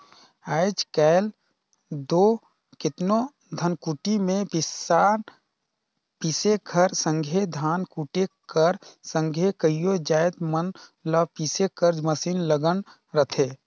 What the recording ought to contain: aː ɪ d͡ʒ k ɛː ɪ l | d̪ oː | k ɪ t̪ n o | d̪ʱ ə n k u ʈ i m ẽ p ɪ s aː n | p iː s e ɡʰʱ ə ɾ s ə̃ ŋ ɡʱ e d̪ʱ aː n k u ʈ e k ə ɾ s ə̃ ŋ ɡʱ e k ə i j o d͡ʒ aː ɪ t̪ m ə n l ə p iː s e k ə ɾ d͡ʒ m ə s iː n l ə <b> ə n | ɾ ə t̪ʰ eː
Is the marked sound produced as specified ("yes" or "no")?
no